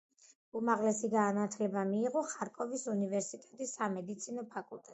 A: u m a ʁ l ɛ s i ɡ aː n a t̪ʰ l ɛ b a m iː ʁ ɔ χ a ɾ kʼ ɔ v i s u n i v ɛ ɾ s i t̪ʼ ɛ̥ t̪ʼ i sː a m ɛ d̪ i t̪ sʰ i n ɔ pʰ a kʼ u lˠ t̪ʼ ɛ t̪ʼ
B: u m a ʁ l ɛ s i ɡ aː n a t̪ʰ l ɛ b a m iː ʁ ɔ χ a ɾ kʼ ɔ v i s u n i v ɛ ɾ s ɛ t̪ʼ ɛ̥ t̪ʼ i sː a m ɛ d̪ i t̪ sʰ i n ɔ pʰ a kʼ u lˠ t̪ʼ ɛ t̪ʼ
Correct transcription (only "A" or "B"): A